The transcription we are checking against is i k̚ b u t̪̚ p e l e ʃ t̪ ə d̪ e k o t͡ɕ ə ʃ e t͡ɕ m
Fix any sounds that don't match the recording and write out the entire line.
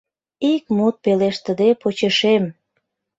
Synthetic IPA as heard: i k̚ m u t̪̚ p e l e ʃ t̪ ə d̪ e p o t͡ɕ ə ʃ e m

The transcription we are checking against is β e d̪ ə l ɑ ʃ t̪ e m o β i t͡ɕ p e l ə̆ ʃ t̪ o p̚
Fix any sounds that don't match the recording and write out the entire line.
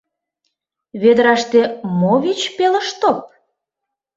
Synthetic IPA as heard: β e d̪ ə ɾ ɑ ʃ t̪ e m o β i t͡ɕ p e l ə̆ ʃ t̪ o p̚

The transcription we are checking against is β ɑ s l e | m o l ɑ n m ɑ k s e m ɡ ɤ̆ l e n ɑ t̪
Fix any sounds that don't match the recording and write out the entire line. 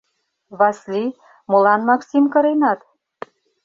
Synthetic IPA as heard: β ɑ s l i | m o l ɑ n m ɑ k s i m k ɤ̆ ɾ e n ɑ t̪

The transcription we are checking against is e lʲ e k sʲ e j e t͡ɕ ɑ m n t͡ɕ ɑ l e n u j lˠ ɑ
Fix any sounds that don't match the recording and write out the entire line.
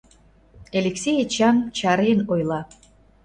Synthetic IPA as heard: e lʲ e k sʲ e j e t͡ɕ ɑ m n t͡ɕ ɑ ɾ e n o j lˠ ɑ

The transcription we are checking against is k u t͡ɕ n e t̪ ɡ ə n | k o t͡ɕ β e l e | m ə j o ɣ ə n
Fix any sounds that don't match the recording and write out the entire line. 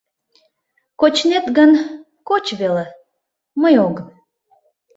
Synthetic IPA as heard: k o t͡ɕ n e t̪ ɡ ə n | k o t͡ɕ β e l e | m ə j o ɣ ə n

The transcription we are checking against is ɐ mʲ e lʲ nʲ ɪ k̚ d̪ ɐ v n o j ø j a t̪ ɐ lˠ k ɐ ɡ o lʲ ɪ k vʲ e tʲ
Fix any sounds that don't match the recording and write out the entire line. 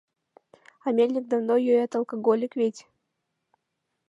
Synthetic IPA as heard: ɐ mʲ e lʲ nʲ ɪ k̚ d̪ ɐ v n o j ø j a t̪ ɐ lˠ k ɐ ɡ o lʲ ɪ k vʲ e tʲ

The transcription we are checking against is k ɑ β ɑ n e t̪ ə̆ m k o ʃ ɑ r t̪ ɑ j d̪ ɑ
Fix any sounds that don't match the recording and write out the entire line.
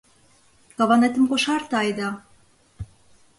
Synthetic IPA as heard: k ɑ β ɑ n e t̪ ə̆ m k o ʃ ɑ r t̪ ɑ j d̪ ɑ

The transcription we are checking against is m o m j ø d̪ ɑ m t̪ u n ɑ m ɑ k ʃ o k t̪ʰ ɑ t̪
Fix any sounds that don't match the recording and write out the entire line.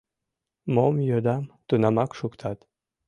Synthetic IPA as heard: m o m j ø d̪ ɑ m t̪ u n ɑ m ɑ k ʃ u k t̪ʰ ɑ t̪

